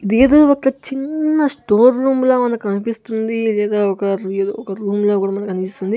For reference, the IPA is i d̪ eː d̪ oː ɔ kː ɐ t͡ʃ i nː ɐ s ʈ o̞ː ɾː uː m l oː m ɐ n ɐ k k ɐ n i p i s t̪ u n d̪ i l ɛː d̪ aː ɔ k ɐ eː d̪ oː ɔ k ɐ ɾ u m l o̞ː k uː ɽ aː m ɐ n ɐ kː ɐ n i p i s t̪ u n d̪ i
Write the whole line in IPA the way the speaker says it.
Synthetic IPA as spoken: i d̪ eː d̪ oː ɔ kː ɐ t͡ʃ i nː ɐ s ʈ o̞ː ɾː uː m l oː m ɐ n ɐ k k ɐ n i p i s t̪ u n d̪ i l ɛː d̪ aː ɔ k ɐ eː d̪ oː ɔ k ɐ ɾ uː m l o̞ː k uː ɽ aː m ɐ n ɐ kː ɐ n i p i s t̪ u n d̪ i